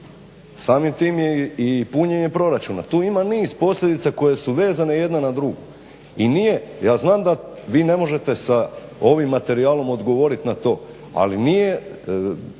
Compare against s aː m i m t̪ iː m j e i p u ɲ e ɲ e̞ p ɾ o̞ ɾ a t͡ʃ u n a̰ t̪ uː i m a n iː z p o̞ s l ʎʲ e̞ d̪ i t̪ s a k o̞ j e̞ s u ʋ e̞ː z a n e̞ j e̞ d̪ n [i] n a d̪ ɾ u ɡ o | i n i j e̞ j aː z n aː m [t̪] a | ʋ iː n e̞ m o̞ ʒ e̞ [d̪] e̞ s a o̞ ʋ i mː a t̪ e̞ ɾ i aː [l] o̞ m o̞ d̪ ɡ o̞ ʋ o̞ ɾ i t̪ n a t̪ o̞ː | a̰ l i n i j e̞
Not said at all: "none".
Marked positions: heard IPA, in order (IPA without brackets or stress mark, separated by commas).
a, d̪, t̪, l